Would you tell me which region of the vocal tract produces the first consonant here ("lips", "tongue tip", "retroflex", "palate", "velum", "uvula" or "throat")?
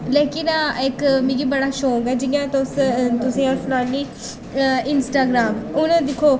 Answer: tongue tip